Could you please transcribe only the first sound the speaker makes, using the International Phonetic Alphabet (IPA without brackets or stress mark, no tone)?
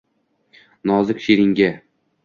n